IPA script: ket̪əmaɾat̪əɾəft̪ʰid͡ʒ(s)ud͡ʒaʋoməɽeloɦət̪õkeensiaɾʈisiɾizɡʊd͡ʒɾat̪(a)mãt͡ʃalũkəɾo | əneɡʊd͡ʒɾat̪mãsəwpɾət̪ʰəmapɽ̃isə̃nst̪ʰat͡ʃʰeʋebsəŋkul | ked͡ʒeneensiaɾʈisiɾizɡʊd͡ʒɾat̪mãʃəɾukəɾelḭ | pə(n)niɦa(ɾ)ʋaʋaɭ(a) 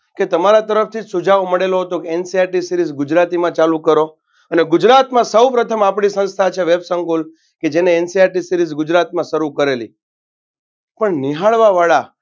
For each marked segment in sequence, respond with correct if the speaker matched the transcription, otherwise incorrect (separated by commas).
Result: correct, incorrect, incorrect, incorrect, correct